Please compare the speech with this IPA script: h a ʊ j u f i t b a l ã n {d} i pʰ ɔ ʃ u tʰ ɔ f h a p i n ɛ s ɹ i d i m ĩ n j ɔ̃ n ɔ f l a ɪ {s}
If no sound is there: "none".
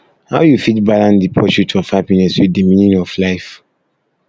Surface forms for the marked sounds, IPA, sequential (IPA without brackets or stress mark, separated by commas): d, f